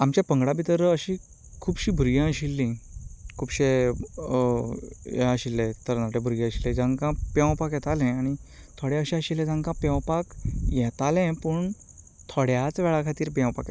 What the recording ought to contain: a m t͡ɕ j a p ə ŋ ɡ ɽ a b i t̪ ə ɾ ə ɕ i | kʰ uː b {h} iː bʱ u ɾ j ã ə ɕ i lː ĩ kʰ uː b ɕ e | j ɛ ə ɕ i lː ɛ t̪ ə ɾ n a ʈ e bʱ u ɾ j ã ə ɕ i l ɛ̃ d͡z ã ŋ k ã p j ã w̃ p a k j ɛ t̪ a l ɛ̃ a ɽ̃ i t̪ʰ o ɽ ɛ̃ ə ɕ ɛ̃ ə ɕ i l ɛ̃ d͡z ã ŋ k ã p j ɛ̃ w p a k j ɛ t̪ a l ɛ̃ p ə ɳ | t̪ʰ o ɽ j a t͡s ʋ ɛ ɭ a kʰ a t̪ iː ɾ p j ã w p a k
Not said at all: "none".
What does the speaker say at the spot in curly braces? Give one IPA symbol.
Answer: ɕ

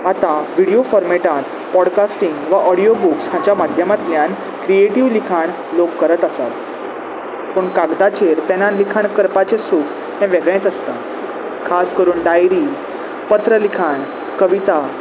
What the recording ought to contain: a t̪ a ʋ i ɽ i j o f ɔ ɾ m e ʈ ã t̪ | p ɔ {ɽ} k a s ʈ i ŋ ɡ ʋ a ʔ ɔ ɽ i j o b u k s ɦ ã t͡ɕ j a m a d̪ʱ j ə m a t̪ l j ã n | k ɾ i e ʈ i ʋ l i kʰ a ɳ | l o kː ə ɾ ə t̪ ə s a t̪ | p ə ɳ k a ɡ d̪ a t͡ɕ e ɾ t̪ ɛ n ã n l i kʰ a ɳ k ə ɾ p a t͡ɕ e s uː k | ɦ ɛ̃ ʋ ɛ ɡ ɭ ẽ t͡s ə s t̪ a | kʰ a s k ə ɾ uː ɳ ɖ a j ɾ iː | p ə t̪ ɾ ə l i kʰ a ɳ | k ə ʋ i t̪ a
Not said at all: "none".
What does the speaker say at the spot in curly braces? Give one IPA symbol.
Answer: ɽ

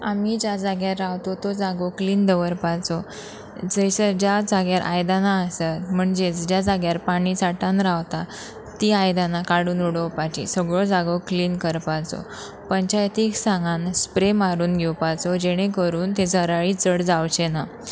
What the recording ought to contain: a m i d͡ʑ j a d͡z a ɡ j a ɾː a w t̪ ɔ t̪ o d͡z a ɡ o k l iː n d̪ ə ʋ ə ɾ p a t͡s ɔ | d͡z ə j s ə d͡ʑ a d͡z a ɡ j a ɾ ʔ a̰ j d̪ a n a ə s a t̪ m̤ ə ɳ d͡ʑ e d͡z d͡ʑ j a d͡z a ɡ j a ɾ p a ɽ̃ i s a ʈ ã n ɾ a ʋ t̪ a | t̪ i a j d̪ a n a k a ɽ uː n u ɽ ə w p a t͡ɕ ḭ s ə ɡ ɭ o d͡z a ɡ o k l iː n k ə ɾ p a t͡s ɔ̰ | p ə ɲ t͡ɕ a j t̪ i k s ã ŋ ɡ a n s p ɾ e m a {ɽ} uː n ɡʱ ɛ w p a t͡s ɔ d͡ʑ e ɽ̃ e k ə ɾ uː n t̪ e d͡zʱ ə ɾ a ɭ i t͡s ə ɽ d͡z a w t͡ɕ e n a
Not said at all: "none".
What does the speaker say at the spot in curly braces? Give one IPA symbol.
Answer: ɾ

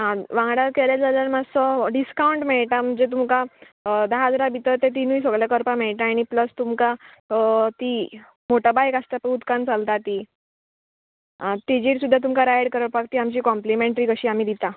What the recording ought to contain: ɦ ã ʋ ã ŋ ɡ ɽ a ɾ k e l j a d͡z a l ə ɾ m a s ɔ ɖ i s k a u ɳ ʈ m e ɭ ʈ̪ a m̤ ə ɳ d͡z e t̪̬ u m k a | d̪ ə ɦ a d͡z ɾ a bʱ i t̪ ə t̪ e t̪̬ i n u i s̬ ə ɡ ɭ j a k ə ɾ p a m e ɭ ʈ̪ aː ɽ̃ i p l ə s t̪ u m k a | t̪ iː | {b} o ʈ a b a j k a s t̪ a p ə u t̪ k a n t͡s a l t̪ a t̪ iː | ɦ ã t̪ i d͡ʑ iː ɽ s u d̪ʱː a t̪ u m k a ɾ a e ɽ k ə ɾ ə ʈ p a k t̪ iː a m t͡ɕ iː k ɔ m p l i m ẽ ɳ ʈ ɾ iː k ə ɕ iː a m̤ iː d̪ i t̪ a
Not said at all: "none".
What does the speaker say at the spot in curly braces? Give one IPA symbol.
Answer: m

